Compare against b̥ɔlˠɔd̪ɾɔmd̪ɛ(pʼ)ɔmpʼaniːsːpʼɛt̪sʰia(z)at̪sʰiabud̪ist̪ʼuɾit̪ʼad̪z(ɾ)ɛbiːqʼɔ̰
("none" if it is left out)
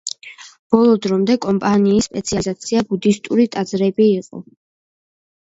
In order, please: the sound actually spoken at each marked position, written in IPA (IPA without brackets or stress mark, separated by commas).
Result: kʼ, z, ɾ